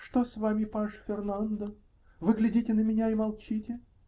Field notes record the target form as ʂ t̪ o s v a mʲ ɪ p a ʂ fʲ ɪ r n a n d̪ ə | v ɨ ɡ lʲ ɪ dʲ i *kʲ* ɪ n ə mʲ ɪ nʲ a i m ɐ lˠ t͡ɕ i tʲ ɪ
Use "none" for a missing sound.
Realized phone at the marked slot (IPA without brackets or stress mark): tʲ